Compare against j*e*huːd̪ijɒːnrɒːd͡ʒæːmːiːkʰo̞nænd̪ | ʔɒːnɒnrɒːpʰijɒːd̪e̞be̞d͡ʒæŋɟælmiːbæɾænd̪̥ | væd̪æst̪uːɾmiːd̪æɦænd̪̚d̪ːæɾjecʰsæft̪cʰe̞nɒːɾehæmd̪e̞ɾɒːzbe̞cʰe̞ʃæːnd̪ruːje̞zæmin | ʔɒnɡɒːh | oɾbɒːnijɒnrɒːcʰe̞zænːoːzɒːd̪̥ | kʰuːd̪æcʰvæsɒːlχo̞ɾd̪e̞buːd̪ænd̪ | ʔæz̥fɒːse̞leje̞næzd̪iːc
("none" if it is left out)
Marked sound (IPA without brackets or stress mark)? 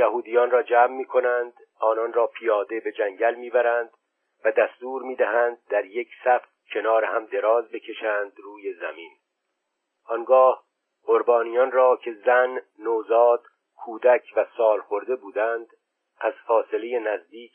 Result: æ